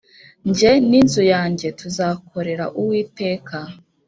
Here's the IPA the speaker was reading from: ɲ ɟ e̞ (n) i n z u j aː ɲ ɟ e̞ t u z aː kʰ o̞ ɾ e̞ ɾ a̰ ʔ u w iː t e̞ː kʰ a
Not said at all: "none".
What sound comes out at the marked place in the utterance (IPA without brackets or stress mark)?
n